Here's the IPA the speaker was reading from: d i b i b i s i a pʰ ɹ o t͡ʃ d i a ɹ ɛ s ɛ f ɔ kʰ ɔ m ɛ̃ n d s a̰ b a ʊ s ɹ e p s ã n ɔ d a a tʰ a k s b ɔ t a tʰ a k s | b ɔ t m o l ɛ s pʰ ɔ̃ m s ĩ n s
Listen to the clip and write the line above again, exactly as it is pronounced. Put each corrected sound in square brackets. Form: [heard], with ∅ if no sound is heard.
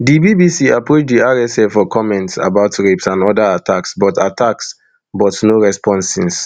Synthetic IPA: d i b i b i s i a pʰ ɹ o t͡ʃ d i a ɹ ɛ s ɛ f ɔ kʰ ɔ m ɛ̃ n [t] s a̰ b a ʊ [t] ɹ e p s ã n ɔ d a a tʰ a k s b ɔ t a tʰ a k s | b ɔ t [n] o [ɹ] ɛ s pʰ ɔ̃ [n] s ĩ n s